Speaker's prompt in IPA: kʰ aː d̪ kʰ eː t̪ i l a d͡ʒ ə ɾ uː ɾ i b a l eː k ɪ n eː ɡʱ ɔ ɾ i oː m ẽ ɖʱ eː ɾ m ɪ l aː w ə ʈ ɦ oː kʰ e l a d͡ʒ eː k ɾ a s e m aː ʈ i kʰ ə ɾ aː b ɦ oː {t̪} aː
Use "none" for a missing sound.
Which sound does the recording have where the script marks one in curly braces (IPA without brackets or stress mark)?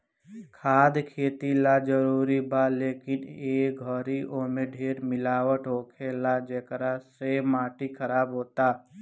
t̪